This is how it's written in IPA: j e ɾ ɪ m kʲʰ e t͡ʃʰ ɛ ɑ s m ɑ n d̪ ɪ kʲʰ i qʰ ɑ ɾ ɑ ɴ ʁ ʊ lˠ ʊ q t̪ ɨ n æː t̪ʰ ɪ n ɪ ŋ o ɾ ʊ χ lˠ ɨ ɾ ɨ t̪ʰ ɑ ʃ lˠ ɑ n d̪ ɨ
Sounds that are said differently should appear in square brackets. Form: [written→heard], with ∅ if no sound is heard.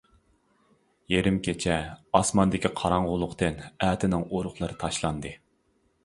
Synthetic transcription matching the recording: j e ɾ ɪ m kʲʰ e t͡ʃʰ ɛ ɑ s m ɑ n d̪ ɪ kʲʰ i qʰ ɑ ɾ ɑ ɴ ʁ ʊ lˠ ʊ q t̪ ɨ n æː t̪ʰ ɪ n ɪ ŋ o ɾ ʊ χ lˠ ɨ ɾ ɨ t̪ʰ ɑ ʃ lˠ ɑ n d̪ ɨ